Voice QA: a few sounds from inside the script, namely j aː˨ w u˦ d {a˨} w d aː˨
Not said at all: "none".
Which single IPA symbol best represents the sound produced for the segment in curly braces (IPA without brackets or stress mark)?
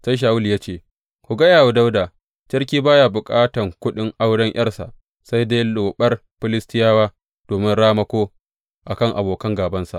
a˦